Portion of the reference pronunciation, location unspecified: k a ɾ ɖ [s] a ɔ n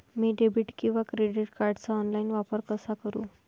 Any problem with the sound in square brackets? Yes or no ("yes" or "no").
yes